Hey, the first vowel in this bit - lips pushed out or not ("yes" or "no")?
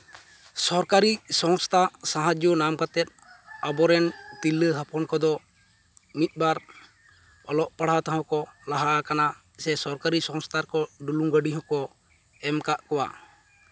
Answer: yes